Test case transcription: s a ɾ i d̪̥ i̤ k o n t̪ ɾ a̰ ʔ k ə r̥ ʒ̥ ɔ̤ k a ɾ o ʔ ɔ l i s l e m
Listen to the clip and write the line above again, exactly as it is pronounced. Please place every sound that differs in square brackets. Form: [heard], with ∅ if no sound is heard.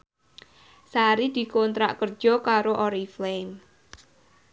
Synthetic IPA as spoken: s a ɾ i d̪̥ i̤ k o n t̪ ɾ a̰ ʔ k ə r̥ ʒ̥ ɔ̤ k a ɾ o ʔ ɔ [ɾ] i [f] l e m